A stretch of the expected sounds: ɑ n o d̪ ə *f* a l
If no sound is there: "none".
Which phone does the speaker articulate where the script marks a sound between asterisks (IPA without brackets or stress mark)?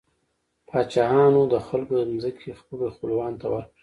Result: x